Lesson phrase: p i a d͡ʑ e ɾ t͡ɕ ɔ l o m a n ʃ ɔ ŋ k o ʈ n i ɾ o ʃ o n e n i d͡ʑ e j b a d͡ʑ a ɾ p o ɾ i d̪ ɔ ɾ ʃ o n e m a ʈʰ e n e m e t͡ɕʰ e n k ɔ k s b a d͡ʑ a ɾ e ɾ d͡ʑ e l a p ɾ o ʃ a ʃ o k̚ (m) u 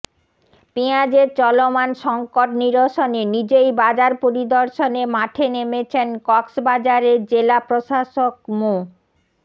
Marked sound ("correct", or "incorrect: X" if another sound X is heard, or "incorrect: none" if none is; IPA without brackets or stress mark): correct